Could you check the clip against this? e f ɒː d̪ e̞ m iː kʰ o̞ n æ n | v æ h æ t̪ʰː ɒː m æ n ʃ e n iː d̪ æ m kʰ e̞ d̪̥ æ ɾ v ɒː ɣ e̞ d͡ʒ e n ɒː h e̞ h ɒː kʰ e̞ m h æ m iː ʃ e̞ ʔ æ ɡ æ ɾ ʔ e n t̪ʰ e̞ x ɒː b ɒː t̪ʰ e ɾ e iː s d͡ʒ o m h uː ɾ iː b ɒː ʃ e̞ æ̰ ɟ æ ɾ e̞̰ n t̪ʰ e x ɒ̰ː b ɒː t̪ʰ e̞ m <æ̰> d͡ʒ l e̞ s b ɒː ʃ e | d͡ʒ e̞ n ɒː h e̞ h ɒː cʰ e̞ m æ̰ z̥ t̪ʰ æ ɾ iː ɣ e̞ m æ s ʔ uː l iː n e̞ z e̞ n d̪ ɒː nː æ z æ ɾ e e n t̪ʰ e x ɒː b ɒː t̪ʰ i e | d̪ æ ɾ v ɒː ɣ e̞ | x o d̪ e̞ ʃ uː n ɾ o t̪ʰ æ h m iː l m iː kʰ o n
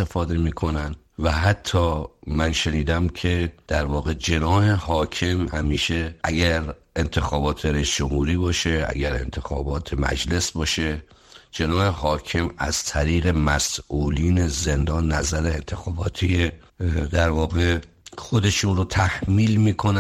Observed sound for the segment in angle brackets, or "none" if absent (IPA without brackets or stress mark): æ̰